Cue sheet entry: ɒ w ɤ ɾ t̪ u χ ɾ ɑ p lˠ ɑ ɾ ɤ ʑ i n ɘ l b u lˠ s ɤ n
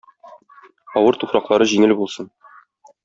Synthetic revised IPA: ɒ w ɤ ɾ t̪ u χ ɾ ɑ q lˠ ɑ ɾ ɤ ʑ i ŋ ɘ l b u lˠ s ɤ n

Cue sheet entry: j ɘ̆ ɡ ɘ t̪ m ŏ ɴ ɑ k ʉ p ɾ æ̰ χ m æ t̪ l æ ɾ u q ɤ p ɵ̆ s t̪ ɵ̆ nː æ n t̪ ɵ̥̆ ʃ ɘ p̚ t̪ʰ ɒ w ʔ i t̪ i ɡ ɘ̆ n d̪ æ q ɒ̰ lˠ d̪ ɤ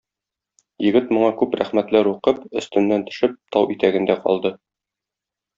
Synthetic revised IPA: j ɘ̆ ɡ ɘ t̪ m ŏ ɴ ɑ k ʉ p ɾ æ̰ χ m æ t̪ l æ ɾ u q ɤ p ɵ̆ s t̪ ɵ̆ nː æ n t̪ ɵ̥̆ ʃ ɘ p̚ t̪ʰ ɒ w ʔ i t̪ æ ɡ ɘ̆ n d̪ æ q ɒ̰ lˠ d̪ ɤ

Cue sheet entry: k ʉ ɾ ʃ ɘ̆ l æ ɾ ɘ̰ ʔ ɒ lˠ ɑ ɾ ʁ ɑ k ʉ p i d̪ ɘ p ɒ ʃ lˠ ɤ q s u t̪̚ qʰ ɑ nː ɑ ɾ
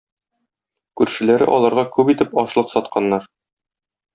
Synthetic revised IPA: k ʉ ɾ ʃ ɘ̆ l æ ɾ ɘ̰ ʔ ɒ lˠ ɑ ɾ ʁ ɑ k ʉ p i t̪ ɘ p ɒ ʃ lˠ ɤ q s ɒ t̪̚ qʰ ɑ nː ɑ ɾ

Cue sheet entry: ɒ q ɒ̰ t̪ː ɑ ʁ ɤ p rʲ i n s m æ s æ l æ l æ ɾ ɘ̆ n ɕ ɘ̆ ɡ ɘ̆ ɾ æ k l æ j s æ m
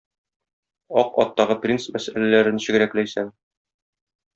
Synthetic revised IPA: ɒ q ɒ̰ t̪ː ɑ ʁ ɤ p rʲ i n s m æ s æ l æ l æ ɾ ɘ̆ n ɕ ɘ̆ ɡ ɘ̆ ɾ æ k l æ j s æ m

